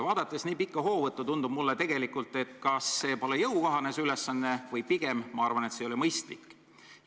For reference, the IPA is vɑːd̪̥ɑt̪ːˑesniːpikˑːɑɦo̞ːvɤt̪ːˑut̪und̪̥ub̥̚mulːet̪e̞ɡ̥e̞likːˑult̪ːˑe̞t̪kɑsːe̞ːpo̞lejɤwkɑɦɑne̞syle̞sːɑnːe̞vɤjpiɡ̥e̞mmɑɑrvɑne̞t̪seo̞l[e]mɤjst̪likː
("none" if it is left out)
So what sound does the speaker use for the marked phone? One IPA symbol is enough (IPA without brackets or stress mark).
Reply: i